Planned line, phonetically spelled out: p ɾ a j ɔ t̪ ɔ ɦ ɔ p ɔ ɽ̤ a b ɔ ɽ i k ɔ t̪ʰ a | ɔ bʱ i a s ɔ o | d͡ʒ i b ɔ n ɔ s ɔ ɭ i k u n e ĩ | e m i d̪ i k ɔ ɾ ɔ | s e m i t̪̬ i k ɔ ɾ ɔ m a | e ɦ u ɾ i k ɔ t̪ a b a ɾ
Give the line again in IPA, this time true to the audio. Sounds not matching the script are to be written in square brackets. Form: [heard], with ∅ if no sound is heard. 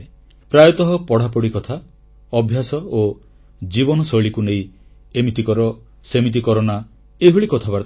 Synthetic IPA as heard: p ɾ a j ɔ t̪ ɔ ɦ ɔ p ɔ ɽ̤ a [p] ɔ ɽ i k ɔ t̪ʰ a | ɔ bʱ [j] a s ɔ o | d͡ʒ i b ɔ n ɔ s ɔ ɭ i k u n e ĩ | e m i [t̪] i k ɔ ɾ ɔ | s e m i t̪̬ i k ɔ ɾ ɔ [n] a | e ɦ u [ɭ] i k ɔ [t̪ʰ] a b a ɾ